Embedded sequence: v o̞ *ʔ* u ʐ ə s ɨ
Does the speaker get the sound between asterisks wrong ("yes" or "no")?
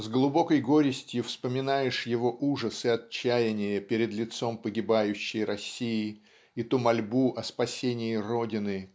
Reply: no